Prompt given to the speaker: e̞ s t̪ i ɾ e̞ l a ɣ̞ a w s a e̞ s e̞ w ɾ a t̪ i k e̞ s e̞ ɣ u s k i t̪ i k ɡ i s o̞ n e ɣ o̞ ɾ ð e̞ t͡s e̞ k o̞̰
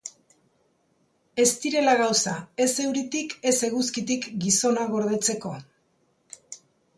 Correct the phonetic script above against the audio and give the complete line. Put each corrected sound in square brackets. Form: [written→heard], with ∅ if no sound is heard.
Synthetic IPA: e̞ s t̪ i ɾ e̞ l a ɣ̞ a w s a e̞ s e̞ w ɾ [a→i] t̪ i k e̞ s e̞ ɣ u s k i t̪ i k ɡ i s o̞ n [e→a] ɣ o̞ ɾ ð e̞ t͡s e̞ k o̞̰